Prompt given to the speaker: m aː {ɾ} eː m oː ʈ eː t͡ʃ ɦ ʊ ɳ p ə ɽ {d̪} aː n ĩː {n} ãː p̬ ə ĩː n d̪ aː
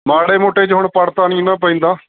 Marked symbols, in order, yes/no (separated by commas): no, no, yes